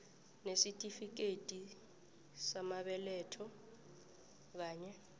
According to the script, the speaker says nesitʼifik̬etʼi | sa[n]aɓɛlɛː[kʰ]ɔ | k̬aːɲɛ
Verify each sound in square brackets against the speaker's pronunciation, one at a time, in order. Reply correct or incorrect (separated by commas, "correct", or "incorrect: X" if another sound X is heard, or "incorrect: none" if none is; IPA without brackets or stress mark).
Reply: incorrect: m, incorrect: tʰ